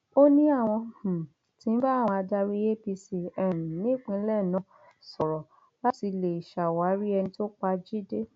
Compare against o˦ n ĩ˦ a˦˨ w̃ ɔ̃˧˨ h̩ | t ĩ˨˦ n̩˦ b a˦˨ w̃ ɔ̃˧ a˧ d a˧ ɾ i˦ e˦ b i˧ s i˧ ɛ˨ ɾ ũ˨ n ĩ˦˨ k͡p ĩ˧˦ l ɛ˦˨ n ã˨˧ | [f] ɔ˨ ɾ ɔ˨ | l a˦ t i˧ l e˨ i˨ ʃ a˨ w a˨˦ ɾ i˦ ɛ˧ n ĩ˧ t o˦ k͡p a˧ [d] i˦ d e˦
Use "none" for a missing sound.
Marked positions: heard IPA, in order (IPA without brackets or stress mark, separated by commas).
s, d͡ʒ